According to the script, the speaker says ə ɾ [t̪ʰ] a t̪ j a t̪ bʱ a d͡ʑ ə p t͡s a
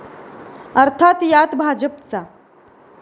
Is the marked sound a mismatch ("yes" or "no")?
no